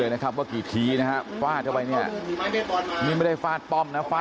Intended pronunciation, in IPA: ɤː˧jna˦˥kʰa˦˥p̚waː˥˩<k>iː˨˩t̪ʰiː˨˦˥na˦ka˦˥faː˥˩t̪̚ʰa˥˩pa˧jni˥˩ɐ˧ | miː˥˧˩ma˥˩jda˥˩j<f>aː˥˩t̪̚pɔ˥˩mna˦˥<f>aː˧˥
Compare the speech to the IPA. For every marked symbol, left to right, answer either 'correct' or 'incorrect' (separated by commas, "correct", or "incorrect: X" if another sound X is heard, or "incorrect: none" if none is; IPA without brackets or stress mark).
correct, correct, correct